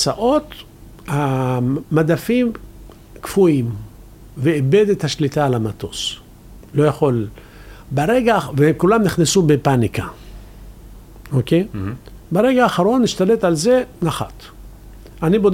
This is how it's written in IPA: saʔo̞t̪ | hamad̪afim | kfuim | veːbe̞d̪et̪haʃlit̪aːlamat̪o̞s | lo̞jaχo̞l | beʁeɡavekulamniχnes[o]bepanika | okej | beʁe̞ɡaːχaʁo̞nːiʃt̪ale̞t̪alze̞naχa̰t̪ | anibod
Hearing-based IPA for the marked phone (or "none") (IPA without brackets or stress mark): u